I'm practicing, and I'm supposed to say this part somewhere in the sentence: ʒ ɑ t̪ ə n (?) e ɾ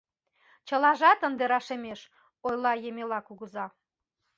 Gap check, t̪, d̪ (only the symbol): d̪